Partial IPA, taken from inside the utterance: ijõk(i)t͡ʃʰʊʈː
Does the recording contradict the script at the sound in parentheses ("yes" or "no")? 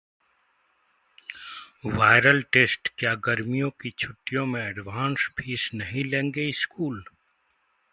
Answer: no